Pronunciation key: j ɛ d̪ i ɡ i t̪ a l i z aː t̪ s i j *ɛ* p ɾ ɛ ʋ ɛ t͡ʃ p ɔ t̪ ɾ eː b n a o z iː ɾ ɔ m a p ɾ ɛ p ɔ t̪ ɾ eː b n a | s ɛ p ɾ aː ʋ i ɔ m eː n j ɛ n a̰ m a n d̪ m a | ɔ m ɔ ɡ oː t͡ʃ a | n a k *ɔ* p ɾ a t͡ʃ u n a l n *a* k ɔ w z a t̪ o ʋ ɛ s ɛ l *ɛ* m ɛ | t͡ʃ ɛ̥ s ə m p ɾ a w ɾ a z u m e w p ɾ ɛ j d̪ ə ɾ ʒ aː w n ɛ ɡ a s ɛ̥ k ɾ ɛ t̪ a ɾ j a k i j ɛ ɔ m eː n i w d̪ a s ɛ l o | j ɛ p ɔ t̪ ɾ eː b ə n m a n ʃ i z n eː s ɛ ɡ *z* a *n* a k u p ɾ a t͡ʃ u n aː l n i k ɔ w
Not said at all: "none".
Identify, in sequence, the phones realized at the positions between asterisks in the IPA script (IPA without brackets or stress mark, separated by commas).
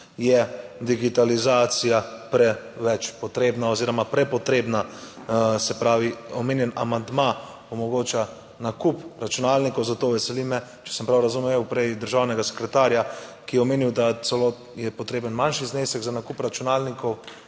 a, u, i, i, z, n